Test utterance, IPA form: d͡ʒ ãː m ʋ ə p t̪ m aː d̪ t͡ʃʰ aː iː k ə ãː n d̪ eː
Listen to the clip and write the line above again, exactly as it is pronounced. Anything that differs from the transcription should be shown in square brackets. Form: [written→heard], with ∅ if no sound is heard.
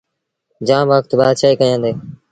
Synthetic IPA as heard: d͡ʒ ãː m ʋ ə [p→k] t̪ [m→b] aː d̪ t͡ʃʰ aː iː k ə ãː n d̪ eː